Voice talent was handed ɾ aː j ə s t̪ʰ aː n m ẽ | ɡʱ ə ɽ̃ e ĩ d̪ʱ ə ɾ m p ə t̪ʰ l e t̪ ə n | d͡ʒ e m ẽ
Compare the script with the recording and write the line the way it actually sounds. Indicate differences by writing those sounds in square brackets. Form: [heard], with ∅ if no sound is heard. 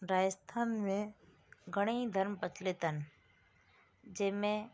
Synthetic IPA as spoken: ɾ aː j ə s t̪ʰ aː n m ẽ | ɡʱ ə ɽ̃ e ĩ d̪ʱ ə ɾ m p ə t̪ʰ l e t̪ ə n | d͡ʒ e m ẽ